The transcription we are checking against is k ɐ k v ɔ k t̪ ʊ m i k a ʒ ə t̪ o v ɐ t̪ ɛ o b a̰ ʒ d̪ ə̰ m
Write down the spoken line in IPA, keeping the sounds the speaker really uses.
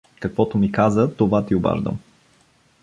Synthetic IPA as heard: k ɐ k v ɔ t̪ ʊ m i k a z ə t̪ o v a t̪ i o b a̰ ʒ d̪ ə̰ m

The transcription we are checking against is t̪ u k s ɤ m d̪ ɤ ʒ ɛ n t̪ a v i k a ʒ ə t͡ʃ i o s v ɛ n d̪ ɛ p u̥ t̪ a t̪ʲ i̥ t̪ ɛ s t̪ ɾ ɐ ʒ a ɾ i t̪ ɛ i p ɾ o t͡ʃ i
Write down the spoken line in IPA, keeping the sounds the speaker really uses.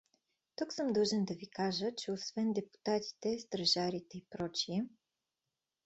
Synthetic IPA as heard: t̪ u k s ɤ m d̪ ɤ ʒ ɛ n d̪ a v i k a ʒ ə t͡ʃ ɛ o s v ɛ n d̪ ɛ p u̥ t̪ a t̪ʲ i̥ t̪ ɛ s t̪ ɾ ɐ ʒ a ɾ i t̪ ɛ i p ɾ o t͡ʃ i

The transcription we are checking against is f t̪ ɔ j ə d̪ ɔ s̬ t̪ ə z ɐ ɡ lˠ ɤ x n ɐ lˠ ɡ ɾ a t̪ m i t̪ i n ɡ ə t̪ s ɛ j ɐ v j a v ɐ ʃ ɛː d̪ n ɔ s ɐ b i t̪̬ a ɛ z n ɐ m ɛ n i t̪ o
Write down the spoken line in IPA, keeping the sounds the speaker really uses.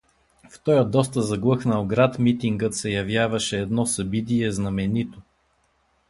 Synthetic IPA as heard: f t̪ ɔ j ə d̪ ɔ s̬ t̪ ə z ɐ ɡ lˠ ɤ x n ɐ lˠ ɡ ɾ a t̪ m i t̪ i ŋ ɡ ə t̪ s ɛ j ɐ v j a v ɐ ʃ ɛː d̪ n ɔ s ɐ b i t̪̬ i ɛ z n ɐ m ɛ n i t̪ o

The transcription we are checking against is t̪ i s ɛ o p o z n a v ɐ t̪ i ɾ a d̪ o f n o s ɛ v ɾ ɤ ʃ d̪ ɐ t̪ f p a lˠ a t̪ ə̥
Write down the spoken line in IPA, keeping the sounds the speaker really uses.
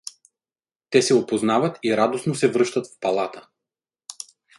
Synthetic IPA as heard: t̪ ɛ s ɛ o p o z n a v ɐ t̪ i ɾ a d̪ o s n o s ɛ v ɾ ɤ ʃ t̪ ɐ t̪ f p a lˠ a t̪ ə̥

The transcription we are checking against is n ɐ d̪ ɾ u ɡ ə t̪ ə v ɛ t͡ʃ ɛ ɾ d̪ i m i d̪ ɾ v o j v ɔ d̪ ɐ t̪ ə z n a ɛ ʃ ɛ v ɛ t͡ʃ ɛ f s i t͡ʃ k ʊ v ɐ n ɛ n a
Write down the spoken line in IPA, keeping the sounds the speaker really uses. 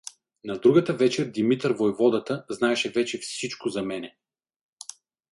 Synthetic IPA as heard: n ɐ d̪ ɾ u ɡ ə t̪ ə v ɛ t͡ʃ ɛ ɾ d̪ i m i t̪ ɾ v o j v ɔ d̪ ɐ t̪ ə z n a ɛ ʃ ɛ v ɛ t͡ʃ ɛ f s i t͡ʃ k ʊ z ɐ m ɛ n ɛ

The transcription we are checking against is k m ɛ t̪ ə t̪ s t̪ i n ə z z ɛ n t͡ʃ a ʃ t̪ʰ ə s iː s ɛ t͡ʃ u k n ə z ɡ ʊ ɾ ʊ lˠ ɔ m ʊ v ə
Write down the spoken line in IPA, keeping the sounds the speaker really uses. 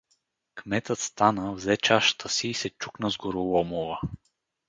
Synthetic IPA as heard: k m ɛ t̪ ə t̪ s t̪ a n ə v z ɛ t͡ʃ a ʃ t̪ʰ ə s iː s ɛ t͡ʃ u k n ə z ɡ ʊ ɾ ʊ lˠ ɔ m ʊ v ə

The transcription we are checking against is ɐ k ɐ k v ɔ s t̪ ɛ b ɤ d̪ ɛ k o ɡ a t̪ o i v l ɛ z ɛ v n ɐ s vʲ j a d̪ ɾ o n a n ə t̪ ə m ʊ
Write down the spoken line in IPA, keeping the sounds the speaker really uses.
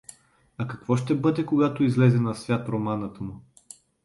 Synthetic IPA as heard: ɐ k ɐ k v ɔ ʃ t̪ ɛ b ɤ d̪ ɛ k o ɡ a t̪ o i z l ɛ z ɛ n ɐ s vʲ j a t̪ ɾ o m a n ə t̪ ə m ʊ

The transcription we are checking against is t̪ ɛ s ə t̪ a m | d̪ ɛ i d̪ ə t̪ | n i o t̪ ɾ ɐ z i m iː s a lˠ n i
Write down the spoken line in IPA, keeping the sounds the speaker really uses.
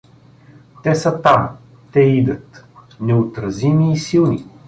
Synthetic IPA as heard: t̪ ɛ s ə t̪ a m | t̪ ɛ i d̪ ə t̪ | n ɛ o t̪ ɾ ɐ z i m iː s i lˠ n i

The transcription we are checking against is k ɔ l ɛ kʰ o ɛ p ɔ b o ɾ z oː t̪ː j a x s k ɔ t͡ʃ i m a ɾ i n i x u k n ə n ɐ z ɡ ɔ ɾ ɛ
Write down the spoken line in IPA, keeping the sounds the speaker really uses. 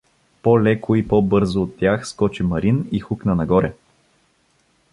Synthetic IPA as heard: p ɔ l ɛ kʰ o i p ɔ b ɤ ɾ z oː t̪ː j a x s k ɔ t͡ʃ i m ɐ ɾ i n i x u k n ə n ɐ ɡ ɔ ɾ ɛ

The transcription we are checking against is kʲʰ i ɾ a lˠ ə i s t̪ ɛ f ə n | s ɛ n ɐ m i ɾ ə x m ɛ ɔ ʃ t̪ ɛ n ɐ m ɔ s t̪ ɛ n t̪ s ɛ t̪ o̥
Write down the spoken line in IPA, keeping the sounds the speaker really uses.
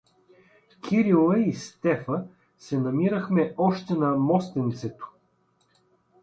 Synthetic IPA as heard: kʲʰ i ɾ i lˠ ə i s t̪ ɛ f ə | s ɛ n ɐ m i ɾ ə x m ɛ ɔ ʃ t̪ ɛ n ɐ m ɔ s t̪ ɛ n t̪ s ɛ t̪ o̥

